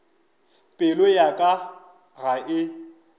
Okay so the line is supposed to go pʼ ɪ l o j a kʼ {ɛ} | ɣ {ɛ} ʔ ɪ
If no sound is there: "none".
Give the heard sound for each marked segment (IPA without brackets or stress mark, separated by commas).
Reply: a, a